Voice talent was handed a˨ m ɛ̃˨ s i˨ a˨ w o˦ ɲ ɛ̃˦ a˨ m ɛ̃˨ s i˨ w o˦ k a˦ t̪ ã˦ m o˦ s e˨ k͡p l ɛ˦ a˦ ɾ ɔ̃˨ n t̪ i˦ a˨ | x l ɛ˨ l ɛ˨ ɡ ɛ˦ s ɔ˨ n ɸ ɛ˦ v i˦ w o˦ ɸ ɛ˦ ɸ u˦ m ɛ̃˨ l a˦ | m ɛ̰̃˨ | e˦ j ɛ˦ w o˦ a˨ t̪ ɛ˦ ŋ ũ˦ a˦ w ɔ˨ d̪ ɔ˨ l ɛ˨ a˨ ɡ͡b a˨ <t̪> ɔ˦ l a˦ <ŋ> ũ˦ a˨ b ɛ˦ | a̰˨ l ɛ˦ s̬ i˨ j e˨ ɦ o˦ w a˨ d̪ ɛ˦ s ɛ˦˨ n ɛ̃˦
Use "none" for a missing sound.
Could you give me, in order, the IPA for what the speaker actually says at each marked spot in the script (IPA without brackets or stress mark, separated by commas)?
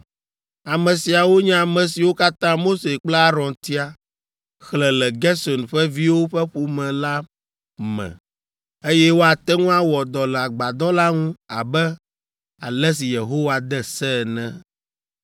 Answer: d̪, ŋ